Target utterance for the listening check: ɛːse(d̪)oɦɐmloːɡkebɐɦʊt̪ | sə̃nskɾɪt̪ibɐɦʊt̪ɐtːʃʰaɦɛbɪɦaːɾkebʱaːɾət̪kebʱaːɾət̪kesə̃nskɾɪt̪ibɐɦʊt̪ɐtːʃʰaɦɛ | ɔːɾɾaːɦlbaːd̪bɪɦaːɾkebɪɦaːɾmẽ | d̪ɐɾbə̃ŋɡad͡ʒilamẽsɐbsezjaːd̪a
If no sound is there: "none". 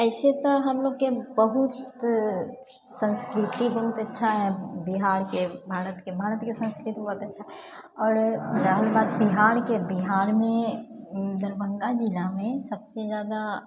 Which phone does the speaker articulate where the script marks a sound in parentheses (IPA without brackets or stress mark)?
t̪